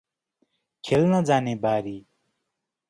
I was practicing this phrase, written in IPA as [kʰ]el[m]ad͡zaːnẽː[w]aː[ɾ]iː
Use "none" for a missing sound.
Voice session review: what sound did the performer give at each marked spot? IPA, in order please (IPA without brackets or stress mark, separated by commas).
kʰ, n, b, ɾ